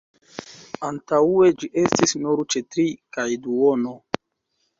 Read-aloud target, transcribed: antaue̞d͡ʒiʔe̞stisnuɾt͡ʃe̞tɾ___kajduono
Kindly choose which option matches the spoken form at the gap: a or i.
i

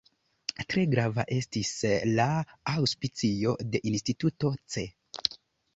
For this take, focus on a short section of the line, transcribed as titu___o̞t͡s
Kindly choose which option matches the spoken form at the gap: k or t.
t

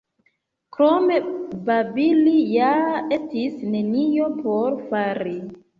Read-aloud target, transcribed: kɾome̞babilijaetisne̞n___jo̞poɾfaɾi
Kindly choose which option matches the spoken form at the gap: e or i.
i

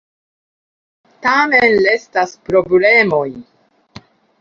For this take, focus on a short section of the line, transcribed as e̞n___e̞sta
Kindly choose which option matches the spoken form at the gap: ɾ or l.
l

